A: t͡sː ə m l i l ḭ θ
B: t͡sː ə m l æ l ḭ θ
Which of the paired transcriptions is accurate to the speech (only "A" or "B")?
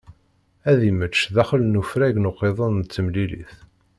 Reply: A